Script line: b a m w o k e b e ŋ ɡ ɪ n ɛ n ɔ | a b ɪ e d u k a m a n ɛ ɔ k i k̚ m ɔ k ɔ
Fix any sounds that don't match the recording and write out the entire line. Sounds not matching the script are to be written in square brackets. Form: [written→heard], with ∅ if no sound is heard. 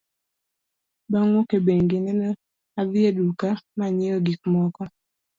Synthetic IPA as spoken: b a [m→ŋ] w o k e b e ŋ ɡ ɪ n ɛ n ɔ | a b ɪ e d u k a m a [n→ɲ] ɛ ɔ [k→ɡ] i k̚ m ɔ k ɔ